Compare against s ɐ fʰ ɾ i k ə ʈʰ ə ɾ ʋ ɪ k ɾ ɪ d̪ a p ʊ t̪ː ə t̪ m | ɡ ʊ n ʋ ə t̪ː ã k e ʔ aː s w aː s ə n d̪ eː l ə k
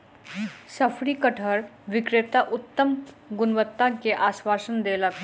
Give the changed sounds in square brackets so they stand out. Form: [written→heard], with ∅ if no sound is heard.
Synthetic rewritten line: s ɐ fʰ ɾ i k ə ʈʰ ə ɾ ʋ ɪ k ɾ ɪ [d̪→t̪] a [p→ʔ] ʊ t̪ː ə [t̪→∅] m | ɡ ʊ n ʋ ə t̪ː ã k e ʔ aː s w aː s ə n d̪ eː l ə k